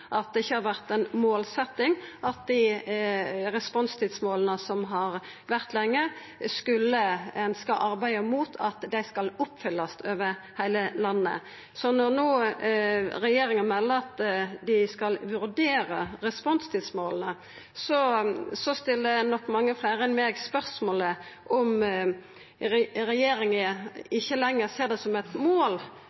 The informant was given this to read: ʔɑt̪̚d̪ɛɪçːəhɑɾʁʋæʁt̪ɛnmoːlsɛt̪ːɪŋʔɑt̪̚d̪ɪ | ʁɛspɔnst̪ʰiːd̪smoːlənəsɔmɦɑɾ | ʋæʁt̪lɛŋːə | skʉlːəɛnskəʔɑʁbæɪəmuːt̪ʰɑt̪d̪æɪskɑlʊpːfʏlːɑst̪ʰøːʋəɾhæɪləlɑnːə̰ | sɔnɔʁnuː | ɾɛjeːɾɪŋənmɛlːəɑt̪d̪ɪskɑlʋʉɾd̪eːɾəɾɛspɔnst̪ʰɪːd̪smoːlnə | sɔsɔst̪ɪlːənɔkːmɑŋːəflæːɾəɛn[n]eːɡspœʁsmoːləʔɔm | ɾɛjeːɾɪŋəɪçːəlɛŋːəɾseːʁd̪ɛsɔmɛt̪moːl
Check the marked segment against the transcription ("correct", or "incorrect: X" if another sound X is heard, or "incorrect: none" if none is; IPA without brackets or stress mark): incorrect: m